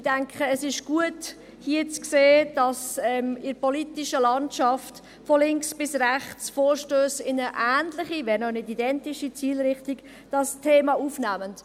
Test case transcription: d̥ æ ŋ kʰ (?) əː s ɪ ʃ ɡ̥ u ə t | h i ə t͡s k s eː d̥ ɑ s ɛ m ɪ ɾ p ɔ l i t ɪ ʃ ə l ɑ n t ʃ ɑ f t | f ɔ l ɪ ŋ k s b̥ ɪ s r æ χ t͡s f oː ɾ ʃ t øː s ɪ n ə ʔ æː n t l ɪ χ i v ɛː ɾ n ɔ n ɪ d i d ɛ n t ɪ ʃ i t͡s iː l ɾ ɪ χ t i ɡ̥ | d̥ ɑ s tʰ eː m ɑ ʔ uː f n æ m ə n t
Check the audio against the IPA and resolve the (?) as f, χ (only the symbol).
χ